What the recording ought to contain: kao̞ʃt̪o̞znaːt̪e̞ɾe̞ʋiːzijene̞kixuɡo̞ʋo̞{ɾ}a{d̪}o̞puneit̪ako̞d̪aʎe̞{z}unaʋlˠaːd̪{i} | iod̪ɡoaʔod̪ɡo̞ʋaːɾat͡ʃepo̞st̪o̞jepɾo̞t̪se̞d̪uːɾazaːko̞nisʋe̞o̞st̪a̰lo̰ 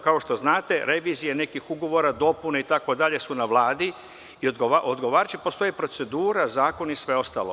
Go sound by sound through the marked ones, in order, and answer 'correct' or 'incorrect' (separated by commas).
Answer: correct, correct, incorrect, correct